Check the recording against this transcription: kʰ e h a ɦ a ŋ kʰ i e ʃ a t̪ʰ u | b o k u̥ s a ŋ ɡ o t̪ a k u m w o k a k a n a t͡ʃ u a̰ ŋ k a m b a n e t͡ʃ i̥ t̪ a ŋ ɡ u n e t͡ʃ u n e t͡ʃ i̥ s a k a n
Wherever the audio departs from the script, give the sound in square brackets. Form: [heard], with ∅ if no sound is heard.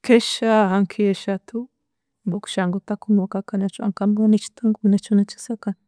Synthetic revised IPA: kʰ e [ʃ] a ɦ a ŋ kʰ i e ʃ a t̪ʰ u | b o k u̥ [ʃ] a ŋ ɡ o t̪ a k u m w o k a k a n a t͡ʃ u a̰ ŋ k a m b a n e t͡ʃ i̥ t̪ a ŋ ɡ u n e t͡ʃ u n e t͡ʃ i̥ s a k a n